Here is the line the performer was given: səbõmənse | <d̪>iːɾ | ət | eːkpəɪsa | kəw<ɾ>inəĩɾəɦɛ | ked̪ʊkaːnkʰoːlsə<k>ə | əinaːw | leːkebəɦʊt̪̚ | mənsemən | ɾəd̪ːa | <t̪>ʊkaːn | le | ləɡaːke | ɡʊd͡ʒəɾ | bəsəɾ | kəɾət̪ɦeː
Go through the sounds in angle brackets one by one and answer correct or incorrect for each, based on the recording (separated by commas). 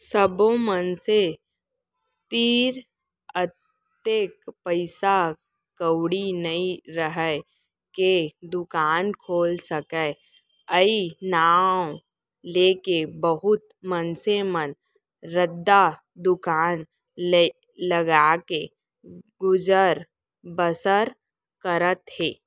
incorrect, incorrect, correct, incorrect